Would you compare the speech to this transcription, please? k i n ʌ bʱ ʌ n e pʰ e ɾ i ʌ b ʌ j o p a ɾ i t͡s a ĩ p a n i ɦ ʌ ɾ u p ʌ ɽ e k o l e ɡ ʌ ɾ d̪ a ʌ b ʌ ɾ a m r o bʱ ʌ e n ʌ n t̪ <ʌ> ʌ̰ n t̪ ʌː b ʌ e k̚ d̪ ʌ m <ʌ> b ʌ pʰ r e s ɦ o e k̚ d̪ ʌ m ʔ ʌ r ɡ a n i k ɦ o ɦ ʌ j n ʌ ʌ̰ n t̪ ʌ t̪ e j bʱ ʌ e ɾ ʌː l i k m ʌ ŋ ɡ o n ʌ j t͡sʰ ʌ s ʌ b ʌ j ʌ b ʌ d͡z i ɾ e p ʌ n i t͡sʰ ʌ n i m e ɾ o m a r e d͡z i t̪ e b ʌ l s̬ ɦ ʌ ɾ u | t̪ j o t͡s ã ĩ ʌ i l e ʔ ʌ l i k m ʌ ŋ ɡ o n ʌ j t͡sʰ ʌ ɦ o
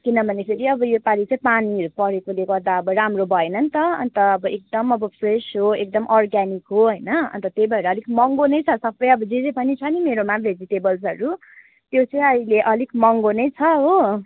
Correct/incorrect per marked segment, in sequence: correct, correct

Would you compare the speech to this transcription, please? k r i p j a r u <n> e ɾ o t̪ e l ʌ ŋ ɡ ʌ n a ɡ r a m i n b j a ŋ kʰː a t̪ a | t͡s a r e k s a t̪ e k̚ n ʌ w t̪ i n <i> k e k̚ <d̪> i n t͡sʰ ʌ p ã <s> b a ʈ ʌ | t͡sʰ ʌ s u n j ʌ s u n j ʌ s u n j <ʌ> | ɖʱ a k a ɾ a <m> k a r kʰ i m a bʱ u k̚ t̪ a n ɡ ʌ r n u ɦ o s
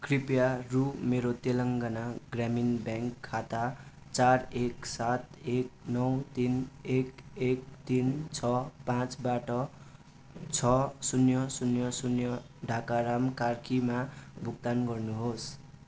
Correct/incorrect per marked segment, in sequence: incorrect: m, incorrect: e, incorrect: t̪, incorrect: t͡s, correct, correct

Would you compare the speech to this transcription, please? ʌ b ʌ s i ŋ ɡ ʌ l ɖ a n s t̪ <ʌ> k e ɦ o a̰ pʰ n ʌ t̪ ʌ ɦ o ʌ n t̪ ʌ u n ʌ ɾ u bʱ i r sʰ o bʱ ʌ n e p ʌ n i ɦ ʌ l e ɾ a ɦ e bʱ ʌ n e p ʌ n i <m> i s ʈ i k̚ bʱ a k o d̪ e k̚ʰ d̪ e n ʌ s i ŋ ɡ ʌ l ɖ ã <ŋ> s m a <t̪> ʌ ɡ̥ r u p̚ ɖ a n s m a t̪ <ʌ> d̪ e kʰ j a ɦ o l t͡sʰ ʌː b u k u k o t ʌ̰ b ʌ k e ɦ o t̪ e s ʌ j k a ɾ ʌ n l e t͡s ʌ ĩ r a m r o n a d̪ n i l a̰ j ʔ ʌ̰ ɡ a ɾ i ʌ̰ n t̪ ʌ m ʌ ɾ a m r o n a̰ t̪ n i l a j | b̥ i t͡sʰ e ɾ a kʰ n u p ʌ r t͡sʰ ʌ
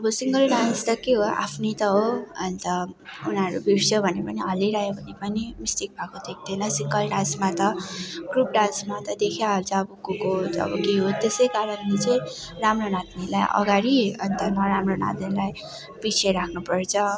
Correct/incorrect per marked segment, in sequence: correct, correct, incorrect: n, correct, correct

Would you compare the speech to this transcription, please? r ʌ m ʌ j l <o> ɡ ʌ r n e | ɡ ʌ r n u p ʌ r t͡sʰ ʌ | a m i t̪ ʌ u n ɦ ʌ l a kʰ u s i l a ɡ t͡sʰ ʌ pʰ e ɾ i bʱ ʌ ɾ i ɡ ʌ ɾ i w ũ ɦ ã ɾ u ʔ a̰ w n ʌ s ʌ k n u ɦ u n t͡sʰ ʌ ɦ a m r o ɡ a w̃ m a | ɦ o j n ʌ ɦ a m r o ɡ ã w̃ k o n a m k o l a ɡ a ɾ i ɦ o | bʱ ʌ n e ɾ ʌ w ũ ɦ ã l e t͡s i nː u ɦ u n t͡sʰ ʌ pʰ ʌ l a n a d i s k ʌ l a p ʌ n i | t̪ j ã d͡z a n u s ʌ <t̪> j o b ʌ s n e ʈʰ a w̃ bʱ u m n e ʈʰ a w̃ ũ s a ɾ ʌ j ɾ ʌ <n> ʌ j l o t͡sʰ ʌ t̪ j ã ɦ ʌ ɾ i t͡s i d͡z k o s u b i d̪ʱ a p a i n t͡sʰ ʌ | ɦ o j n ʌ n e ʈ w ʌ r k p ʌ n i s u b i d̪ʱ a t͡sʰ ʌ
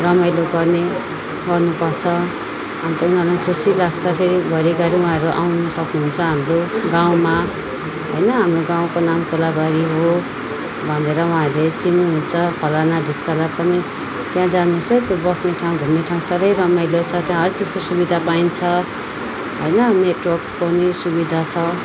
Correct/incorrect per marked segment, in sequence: correct, correct, incorrect: m

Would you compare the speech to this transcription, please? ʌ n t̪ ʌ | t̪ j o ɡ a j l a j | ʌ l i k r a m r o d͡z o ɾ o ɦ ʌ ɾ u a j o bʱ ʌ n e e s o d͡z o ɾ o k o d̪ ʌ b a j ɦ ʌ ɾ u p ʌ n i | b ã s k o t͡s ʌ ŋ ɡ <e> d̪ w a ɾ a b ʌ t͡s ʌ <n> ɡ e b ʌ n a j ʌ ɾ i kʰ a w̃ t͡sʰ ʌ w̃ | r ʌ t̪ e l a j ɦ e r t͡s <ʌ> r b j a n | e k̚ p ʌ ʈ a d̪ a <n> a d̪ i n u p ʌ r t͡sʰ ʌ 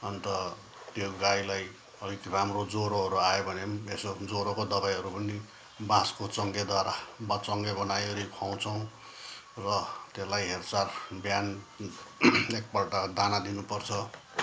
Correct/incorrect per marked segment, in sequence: correct, incorrect: ŋ, incorrect: a, correct

